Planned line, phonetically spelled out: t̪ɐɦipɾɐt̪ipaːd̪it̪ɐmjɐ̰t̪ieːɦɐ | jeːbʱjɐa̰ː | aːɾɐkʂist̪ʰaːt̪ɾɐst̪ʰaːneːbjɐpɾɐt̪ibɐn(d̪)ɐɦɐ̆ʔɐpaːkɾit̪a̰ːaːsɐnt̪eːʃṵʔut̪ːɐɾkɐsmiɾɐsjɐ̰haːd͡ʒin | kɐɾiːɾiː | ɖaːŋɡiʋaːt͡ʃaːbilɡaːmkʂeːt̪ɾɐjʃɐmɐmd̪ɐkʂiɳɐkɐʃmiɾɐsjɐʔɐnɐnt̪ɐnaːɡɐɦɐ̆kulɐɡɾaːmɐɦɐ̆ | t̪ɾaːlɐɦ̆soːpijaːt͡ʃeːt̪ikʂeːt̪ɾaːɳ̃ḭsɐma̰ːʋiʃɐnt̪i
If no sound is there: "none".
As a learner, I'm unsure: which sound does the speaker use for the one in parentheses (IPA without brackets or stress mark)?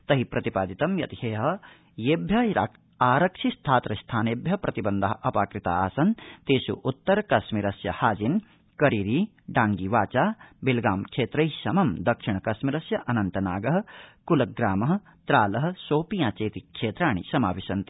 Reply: d̪